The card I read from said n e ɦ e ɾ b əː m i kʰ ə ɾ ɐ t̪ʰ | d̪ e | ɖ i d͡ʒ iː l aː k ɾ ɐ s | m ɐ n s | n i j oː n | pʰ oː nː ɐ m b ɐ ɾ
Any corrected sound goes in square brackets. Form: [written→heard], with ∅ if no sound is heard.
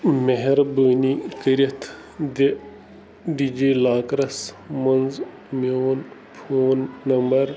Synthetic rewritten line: [n→m] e ɦ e ɾ b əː [m→n] i [kʰ→k] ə ɾ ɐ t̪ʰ | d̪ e | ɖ i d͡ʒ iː l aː k ɾ ɐ s | m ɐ n [s→z] | [n→m] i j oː n | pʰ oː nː ɐ m b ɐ ɾ